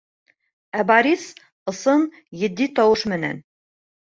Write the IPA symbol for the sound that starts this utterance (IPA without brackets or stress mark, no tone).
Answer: æ